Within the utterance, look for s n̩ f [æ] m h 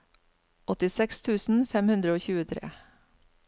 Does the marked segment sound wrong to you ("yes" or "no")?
yes